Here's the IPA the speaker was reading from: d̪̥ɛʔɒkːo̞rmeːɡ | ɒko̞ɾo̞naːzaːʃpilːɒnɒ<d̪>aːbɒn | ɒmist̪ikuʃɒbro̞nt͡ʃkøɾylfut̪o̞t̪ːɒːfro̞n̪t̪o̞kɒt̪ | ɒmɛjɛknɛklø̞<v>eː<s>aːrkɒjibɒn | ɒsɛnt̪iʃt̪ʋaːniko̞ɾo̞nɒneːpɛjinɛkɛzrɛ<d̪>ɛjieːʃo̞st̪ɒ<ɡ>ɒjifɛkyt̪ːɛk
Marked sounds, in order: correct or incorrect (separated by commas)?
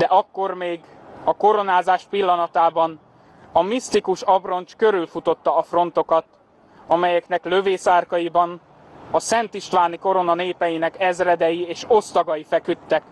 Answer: incorrect, correct, correct, correct, correct